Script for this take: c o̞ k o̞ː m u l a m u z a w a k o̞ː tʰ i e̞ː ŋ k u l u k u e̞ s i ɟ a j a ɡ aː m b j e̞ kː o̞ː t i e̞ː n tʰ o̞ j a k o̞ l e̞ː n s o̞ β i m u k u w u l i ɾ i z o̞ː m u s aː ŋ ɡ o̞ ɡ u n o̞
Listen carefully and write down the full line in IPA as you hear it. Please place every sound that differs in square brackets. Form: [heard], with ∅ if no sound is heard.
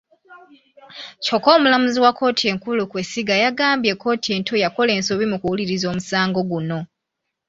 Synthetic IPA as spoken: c o̞ k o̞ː m u l a m u z [i] w a k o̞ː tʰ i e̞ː ŋ k u l u k [w] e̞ s i [ɡ] a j a ɡ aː m b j e̞ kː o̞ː t i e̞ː n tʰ o̞ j a k o̞ l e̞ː n s o̞ β i m u k u w u l i ɾ i z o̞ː m u s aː ŋ ɡ o̞ ɡ u n o̞